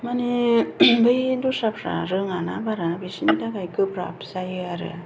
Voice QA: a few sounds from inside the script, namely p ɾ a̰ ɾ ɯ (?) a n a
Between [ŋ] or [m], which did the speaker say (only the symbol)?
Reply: ŋ